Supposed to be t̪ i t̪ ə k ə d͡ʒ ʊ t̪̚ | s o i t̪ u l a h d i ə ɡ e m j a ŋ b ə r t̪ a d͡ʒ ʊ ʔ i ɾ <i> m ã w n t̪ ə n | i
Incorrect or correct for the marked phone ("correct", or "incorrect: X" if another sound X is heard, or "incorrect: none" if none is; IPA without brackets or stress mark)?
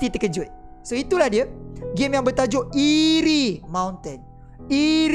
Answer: correct